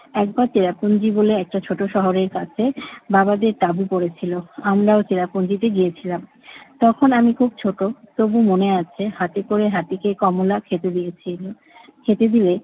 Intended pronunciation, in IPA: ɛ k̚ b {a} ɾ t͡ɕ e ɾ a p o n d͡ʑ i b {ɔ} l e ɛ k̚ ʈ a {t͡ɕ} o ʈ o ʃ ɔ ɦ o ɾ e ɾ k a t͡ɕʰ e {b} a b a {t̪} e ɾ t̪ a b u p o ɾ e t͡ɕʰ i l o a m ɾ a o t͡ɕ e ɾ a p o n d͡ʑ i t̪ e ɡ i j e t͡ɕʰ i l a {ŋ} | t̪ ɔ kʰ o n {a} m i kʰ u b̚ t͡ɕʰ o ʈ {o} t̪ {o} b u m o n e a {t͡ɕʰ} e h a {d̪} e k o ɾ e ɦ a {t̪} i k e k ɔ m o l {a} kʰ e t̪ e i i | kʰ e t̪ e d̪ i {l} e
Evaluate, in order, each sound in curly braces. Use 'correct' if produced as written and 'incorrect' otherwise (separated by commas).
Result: correct, incorrect, incorrect, correct, incorrect, incorrect, correct, correct, correct, correct, incorrect, correct, correct, correct